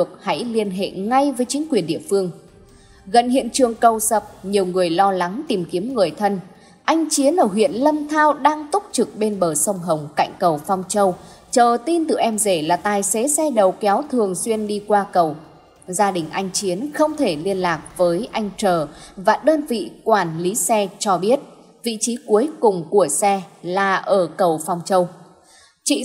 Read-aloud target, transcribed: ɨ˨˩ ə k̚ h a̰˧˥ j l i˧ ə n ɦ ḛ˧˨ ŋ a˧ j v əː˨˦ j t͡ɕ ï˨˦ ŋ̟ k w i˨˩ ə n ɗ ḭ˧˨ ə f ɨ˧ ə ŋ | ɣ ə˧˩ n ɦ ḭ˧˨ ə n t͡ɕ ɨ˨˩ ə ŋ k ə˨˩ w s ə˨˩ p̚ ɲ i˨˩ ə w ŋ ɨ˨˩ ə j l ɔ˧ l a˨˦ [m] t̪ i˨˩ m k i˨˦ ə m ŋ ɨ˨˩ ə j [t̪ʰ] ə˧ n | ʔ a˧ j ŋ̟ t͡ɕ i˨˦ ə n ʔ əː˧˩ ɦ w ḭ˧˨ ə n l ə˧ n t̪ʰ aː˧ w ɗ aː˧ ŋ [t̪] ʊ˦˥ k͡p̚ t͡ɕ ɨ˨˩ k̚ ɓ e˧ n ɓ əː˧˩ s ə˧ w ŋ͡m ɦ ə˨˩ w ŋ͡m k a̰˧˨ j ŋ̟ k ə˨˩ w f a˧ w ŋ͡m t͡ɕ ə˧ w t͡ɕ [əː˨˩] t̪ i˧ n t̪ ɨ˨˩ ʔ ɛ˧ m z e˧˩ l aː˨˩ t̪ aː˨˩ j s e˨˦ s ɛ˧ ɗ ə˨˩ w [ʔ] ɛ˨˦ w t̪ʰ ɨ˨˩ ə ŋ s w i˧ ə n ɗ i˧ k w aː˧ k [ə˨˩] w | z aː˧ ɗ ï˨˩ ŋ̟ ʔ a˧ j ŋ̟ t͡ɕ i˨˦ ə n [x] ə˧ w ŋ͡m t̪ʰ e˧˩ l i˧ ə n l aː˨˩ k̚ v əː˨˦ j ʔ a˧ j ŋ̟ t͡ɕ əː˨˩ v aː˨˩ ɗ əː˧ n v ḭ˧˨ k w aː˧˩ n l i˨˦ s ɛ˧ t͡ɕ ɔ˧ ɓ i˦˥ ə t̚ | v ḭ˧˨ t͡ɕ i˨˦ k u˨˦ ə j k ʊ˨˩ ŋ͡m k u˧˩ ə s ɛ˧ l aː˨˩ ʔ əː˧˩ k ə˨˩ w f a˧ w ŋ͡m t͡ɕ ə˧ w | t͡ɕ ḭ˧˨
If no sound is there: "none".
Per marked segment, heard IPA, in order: ŋ, t̪ʰ, t̪, əː˨˩, k, ə˨˩, x

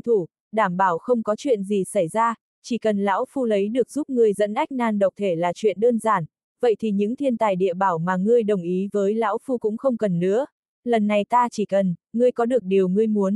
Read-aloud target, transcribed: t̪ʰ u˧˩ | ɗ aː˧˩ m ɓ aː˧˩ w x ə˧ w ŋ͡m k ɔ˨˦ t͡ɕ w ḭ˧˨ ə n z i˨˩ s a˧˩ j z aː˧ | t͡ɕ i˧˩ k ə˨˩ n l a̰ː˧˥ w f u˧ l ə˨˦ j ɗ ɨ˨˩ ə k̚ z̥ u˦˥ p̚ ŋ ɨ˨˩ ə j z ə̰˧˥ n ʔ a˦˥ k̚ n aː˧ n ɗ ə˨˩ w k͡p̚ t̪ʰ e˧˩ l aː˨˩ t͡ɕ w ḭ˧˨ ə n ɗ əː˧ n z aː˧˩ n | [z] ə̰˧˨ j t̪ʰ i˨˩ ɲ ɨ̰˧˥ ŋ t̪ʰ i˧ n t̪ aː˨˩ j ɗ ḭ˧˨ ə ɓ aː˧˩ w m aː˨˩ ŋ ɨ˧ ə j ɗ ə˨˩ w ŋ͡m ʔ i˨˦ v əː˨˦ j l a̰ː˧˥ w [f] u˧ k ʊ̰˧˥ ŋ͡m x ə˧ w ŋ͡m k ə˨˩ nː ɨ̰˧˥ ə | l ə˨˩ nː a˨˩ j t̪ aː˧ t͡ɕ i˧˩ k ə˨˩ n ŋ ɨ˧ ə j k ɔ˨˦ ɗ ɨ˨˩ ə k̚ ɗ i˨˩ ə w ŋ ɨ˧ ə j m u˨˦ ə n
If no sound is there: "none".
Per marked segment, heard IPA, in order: v, f

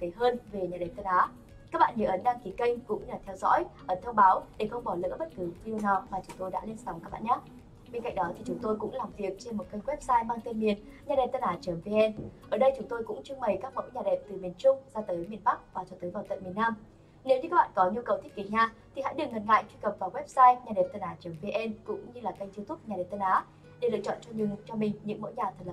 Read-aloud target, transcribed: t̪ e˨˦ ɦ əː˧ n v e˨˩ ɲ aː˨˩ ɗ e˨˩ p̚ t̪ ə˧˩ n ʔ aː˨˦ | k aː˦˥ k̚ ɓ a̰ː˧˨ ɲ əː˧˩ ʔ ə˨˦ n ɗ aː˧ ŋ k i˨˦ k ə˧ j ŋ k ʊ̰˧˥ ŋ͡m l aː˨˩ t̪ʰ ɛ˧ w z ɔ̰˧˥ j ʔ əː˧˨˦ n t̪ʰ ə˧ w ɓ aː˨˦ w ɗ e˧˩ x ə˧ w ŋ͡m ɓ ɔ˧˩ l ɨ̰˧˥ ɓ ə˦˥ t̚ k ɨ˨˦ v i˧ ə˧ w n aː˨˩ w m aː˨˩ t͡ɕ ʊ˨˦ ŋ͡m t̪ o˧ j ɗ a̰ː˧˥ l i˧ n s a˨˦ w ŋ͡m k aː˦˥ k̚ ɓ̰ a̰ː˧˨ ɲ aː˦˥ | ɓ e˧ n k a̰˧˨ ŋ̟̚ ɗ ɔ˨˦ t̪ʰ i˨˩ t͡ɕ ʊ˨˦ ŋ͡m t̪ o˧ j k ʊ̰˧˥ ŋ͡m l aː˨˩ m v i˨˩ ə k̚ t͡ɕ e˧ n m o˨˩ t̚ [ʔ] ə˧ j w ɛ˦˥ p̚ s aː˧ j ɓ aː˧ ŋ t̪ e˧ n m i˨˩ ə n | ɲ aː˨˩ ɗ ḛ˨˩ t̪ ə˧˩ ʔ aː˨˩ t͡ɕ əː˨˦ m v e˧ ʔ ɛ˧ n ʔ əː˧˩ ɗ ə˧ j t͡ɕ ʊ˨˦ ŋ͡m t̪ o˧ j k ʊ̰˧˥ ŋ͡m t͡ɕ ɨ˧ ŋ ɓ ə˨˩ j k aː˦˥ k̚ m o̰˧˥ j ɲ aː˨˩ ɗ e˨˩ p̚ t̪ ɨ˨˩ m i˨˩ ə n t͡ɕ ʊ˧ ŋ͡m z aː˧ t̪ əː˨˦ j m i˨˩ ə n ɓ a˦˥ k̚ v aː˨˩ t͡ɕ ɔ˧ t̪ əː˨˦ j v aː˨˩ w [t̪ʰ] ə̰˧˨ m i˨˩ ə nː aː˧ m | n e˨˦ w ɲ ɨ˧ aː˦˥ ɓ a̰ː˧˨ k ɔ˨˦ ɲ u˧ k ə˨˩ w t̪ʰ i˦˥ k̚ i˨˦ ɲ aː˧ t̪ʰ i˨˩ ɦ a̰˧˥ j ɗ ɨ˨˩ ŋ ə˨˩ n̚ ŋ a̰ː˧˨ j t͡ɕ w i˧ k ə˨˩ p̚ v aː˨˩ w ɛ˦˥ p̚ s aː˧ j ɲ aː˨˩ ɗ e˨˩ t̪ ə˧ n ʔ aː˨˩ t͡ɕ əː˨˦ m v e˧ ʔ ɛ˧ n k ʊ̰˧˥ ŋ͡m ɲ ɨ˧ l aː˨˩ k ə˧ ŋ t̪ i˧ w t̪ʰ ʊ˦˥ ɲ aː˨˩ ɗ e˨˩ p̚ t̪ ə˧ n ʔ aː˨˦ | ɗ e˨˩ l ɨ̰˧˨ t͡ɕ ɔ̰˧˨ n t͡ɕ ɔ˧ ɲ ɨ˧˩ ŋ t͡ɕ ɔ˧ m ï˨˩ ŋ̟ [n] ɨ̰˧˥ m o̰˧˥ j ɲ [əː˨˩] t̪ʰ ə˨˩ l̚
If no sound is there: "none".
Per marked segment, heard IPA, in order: k, t̪, ɲ, aː˨˩

